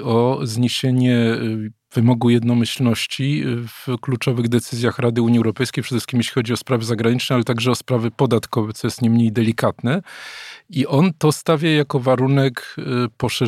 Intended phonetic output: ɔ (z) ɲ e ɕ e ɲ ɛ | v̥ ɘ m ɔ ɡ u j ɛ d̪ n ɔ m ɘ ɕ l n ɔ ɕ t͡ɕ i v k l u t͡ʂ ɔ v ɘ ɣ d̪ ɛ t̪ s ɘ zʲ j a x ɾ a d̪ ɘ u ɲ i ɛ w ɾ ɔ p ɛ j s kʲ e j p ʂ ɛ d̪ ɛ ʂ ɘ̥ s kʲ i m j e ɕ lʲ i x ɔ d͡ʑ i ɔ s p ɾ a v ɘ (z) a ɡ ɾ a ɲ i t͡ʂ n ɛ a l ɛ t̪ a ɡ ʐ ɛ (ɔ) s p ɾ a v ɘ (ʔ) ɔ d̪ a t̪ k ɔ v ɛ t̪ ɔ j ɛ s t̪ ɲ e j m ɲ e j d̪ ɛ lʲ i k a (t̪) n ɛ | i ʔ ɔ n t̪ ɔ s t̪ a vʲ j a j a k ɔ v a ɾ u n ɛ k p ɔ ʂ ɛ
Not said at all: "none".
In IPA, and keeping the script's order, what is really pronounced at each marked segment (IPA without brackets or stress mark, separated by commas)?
z, z, ɔ, p, t̪